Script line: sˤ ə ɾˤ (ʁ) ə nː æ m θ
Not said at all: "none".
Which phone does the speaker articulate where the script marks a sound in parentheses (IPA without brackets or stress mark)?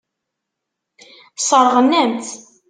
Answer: ʁ